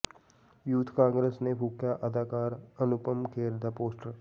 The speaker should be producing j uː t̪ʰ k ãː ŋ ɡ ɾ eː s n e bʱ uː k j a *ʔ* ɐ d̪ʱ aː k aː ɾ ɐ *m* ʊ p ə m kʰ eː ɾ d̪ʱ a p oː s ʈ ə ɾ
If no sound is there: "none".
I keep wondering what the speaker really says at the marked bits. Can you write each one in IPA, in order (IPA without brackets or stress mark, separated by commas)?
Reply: ʔ, n